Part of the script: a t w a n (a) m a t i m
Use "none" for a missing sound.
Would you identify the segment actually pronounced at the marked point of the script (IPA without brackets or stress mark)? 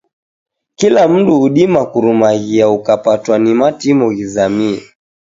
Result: i